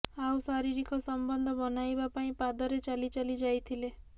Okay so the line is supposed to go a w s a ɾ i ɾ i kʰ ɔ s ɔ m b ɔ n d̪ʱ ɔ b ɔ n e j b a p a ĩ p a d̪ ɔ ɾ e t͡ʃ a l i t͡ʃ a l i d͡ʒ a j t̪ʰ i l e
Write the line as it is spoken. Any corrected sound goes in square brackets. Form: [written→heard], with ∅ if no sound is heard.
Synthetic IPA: a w s a ɾ i ɾ i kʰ ɔ s ɔ m b ɔ n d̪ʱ ɔ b ɔ n [e→a] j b a p a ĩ p a d̪ ɔ ɾ e t͡ʃ a l i t͡ʃ a l i d͡ʒ a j t̪ʰ i l e